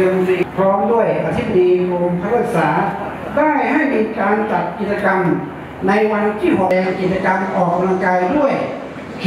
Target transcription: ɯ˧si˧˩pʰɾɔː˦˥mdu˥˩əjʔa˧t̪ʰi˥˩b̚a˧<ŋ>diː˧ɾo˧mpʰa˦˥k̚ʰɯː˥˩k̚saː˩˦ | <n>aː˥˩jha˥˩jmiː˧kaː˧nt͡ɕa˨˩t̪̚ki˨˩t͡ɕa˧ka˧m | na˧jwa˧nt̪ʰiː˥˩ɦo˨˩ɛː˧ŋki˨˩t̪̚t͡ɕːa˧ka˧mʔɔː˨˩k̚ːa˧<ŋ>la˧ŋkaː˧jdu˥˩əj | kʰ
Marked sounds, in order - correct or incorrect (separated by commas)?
incorrect, incorrect, incorrect